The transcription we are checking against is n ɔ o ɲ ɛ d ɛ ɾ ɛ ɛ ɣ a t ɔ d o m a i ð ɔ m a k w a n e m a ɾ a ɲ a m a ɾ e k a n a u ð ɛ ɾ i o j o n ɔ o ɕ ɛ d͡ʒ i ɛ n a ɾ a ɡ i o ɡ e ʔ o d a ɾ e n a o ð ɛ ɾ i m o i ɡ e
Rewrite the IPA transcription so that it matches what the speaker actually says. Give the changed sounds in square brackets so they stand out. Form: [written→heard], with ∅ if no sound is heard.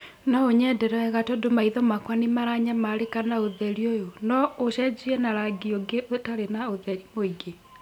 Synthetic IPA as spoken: n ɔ o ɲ ɛ d ɛ ɾ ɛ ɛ ɣ a t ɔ d o m a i ð ɔ m a k w a n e m a ɾ a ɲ a m a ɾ e k a n a [u→o] ð ɛ ɾ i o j o n ɔ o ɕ ɛ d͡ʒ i ɛ n a ɾ a ɡ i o ɡ e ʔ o [d→t] a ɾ e n a o ð ɛ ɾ i m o i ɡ e

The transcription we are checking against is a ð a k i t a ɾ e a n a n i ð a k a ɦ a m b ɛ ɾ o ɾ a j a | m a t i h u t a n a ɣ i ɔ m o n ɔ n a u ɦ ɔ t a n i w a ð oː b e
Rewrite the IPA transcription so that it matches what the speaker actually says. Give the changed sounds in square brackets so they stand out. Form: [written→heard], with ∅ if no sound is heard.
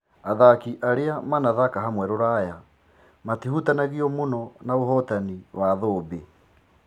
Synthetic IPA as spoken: a ð a k i [t→ʔ] a ɾ e a [n→m] a n [i→a] ð a k a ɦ a m [b→w] ɛ ɾ o ɾ a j a | m a t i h u t a n a ɣ i ɔ m o n ɔ n a [u→o] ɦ ɔ t a n i w a ð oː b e

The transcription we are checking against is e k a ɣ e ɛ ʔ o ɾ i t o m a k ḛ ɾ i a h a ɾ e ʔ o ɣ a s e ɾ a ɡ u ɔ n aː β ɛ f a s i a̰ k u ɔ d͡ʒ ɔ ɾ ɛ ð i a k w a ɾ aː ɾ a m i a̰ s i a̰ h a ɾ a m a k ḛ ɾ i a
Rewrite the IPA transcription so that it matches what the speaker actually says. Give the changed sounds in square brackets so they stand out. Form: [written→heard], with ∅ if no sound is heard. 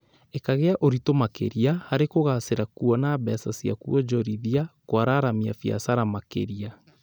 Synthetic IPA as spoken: e k a ɣ e [ɛ→a] ʔ o ɾ i t o m a k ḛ ɾ i a h a ɾ e [ʔ→k] o ɣ a s e ɾ a [ɡ→k] u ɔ n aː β ɛ [f→s] a s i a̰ k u ɔ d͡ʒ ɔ ɾ [ɛ→i] ð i a k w a ɾ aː ɾ a m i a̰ [s→f] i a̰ [h→s] a ɾ a m a k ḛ ɾ i a

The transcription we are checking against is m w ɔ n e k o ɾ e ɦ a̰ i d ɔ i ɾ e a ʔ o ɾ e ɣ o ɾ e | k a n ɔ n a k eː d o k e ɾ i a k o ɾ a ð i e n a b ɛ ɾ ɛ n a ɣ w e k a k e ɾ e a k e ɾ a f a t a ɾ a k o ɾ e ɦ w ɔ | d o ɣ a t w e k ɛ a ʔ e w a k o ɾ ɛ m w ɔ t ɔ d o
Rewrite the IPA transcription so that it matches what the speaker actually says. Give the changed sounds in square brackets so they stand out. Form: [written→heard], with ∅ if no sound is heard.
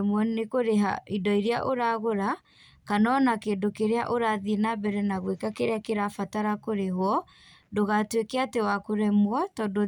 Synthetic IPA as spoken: m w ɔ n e k o ɾ e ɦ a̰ i d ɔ i ɾ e a ʔ o ɾ [e→a] ɣ o ɾ [e→a] | k a n ɔ n a k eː d o k e ɾ [i→e] a [k→ʔ] o ɾ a ð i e n a b ɛ ɾ ɛ n a ɣ w e k a k e ɾ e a k e ɾ a f a t a ɾ a k o ɾ e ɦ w ɔ | d o ɣ a t w e k ɛ a [ʔ→t] e w a k o ɾ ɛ m w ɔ t ɔ d o

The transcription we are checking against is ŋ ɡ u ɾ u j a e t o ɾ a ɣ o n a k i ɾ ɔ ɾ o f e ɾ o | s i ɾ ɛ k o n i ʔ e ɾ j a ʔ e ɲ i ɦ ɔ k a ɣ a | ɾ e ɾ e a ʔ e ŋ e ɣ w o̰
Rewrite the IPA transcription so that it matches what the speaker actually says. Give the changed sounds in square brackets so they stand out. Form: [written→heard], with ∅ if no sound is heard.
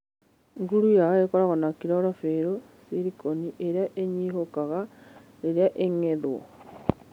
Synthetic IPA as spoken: ŋ ɡ u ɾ u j a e [t→k] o ɾ a ɣ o n a k i ɾ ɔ ɾ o f e ɾ o | s i ɾ [ɛ→i] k o n i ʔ e ɾ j a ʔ e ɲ i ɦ [ɔ→o] k a ɣ a | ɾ e ɾ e a ʔ e ŋ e [ɣ→ð] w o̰

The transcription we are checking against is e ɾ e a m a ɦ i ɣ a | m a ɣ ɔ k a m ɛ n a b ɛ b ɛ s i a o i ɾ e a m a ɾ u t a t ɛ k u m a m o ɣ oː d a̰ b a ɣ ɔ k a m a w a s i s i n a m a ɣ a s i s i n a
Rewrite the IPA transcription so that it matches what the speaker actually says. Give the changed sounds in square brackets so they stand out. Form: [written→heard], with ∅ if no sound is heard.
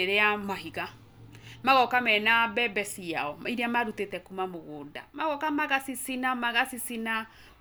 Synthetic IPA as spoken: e ɾ e a m a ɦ i ɣ a | m a ɣ ɔ k a m ɛ n a b ɛ b ɛ s i a [o→ɔ] i ɾ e a m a ɾ u t [a→e] t ɛ k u m a m o ɣ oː d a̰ [b→m] a ɣ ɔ k a m a [w→ɣ] a s i s i n a m a ɣ a s i s i n a

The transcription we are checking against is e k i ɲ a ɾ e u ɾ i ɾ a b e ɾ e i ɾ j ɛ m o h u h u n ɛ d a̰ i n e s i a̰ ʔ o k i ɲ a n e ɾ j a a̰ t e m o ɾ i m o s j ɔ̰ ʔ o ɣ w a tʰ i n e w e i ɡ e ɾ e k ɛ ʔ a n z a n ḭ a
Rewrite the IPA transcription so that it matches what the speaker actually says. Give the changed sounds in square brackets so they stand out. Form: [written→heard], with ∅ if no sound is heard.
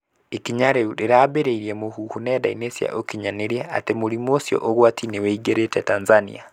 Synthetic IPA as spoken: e k i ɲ a ɾ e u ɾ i ɾ a b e ɾ e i ɾ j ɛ m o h u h u n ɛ d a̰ i n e s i a̰ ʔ o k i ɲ a n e ɾ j a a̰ t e m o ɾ i m o s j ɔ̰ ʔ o ɣ w a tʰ i n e w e i ɡ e ɾ e [k→t] ɛ [ʔ→t] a n z a n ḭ a

